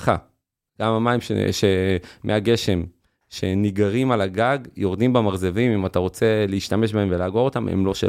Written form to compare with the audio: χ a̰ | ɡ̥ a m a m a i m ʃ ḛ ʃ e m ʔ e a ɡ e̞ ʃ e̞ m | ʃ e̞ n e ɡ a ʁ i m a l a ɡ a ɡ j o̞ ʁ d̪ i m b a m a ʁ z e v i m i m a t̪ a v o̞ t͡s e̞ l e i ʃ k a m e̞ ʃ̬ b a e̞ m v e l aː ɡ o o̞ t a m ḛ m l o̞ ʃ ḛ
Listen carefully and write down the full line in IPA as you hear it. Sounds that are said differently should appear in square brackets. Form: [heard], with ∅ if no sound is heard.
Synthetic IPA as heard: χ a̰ | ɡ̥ a m a m a i m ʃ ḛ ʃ e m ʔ e a ɡ e̞ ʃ e̞ m | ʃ e̞ n [i] ɡ a ʁ i m a l a ɡ a ɡ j o̞ ʁ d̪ i m b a m a ʁ z e v i m i m a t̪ a [ʁ] o̞ t͡s e̞ l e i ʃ [t] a m e̞ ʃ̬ b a e̞ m v e l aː ɡ o o̞ t a m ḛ m l o̞ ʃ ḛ